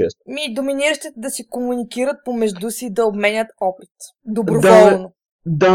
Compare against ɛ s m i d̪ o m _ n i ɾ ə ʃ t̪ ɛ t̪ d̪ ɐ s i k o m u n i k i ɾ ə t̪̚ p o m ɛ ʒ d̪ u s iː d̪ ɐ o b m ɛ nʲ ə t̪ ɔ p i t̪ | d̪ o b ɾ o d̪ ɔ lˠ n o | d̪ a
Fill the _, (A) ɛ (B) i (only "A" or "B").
B